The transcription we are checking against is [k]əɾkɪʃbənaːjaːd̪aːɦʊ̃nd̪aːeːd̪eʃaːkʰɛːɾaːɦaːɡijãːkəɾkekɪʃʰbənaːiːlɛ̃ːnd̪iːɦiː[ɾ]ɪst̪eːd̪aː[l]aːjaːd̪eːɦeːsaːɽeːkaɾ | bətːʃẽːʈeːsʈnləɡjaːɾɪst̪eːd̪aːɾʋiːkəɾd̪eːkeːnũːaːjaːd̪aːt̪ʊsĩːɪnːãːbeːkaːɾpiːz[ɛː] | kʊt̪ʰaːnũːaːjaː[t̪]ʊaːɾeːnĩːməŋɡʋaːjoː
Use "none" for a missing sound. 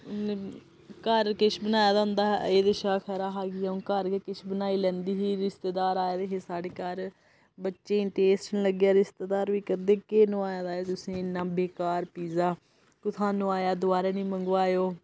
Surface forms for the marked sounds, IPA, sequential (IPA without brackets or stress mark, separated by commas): k, ɾ, ɾ, aː, d̪